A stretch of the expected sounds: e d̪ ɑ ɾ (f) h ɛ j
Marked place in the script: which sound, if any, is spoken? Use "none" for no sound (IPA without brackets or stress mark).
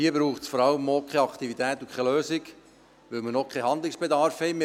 f